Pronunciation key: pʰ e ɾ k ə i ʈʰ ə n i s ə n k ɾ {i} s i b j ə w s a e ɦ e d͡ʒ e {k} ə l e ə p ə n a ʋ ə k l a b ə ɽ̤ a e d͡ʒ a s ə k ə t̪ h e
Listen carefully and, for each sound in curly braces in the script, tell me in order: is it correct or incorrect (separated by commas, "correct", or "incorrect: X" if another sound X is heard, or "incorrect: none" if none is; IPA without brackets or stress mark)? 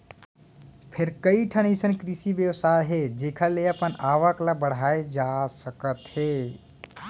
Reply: correct, incorrect: kʰ